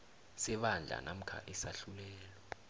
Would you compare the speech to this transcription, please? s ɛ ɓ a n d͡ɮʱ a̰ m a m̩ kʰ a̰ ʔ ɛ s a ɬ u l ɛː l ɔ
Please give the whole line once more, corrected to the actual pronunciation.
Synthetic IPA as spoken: s ɛ ɓ a n d͡ɮʱ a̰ n a m̩ kʰ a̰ ʔ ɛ s a ɬ u l ɛː l ɔ